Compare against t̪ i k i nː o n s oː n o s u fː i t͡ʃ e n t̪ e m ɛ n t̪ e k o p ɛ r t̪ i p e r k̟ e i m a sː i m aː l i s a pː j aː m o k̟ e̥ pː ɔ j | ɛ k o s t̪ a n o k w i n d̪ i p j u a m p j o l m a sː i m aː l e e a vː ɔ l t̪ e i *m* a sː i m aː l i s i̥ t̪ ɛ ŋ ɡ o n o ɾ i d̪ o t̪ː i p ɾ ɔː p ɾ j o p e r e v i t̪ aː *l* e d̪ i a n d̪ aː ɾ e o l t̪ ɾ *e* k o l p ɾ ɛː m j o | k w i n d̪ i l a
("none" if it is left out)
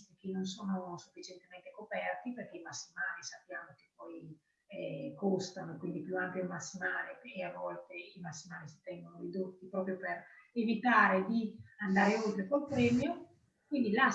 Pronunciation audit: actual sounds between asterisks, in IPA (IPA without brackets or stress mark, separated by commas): m, ɾ, e